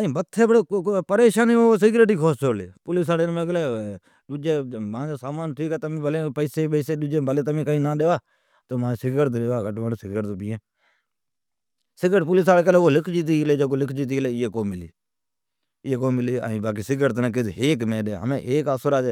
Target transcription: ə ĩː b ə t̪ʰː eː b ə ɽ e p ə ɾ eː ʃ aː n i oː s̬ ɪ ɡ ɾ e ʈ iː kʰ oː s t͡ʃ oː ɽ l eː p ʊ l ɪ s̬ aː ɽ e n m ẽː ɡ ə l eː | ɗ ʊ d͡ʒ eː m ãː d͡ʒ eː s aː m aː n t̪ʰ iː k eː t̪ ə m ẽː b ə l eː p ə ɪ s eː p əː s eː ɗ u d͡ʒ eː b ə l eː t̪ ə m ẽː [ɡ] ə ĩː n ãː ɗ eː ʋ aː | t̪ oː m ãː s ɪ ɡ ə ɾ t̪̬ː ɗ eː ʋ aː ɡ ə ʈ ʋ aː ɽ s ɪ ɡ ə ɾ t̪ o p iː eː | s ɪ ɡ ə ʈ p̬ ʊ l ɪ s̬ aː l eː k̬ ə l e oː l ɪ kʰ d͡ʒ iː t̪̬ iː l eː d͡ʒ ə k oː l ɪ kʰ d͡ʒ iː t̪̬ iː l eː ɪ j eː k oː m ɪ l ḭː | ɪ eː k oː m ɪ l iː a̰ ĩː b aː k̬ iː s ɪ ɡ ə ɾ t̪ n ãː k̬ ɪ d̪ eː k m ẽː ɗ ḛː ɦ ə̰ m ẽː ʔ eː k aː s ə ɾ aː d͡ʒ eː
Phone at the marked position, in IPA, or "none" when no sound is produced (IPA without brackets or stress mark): k